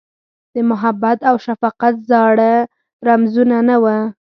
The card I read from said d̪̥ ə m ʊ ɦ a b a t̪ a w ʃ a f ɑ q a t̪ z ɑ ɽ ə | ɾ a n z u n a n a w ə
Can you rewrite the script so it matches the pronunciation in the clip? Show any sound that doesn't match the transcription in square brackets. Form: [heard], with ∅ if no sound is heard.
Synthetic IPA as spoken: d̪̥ ə m ʊ ɦ a b a t̪ a w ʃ a f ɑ q a t̪ z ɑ ɽ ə | ɾ a [m] z u n a n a w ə